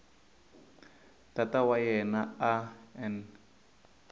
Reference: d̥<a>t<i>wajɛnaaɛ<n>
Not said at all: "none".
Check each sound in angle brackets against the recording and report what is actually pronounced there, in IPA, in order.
a, a, n

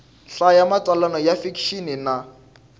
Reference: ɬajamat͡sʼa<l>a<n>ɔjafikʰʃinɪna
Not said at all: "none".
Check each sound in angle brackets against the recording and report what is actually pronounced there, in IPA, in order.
l, n

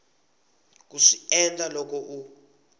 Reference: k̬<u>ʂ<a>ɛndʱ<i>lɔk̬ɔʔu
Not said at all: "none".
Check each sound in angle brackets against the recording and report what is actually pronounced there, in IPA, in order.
u, i, a

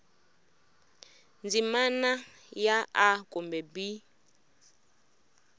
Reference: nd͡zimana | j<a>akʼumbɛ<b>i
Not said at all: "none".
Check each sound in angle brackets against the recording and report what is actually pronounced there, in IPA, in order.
a, b

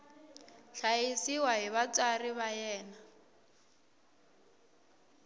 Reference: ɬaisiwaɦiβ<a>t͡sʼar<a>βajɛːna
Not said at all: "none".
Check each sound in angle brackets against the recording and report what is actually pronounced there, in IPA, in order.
a, i

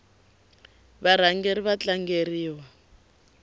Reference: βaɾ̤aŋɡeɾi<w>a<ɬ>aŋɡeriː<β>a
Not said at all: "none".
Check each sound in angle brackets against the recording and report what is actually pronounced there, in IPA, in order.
β, t͡ɬ, w

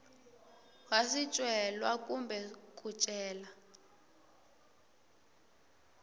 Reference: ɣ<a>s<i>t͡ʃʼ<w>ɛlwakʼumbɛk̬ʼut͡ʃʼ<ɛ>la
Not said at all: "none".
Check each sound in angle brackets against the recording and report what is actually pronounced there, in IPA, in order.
a, i, w, ɛː

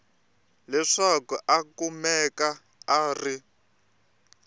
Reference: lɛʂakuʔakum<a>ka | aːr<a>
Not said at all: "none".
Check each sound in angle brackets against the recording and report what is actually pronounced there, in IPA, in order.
ɛ, i

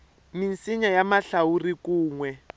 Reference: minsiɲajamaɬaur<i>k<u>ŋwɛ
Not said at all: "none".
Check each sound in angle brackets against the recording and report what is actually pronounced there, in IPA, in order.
i, uː

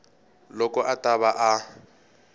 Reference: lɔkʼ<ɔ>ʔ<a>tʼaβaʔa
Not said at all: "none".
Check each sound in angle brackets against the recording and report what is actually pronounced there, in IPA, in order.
ɔ, a

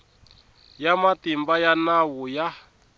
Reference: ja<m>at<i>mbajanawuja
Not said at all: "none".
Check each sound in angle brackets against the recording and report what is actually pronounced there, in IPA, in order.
m, i

